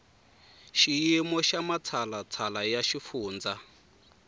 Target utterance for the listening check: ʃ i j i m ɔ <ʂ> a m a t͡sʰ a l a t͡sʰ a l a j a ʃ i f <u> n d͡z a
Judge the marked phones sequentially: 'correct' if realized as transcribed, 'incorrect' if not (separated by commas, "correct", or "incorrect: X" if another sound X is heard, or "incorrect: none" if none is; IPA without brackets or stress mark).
incorrect: ʃ, incorrect: uː